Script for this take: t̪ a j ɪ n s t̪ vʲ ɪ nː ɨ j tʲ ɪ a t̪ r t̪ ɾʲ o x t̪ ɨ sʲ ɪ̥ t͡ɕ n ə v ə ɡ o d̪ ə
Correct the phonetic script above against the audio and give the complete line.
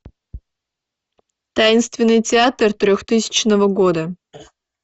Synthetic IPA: t̪ a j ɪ n s t̪ vʲ ɪ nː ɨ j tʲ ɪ a t̪ r t̪ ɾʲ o x t̪ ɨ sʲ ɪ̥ t͡ɕ n ə v ə ɡ o d̪ ə